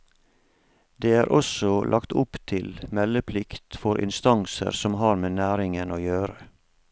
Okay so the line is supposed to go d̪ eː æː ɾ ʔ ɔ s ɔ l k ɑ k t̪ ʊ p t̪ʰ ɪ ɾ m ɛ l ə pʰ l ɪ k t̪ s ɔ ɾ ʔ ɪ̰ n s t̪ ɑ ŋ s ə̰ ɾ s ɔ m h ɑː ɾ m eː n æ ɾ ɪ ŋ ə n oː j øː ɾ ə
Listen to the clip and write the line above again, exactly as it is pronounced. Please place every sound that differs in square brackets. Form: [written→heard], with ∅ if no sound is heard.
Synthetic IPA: d̪ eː æː ɾ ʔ ɔ s ɔ l [k→ʔ] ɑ k t̪ ʊ p t̪ʰ ɪ [ɾ→l] m ɛ l ə pʰ l ɪ k t̪ [s→f] ɔ ɾ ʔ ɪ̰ n s t̪ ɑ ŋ s ə̰ ɾ s ɔ m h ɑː ɾ m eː n [æ→æː] ɾ ɪ ŋ ə n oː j øː ɾ ə